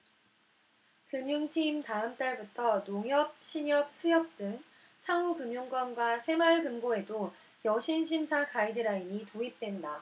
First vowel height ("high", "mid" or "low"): high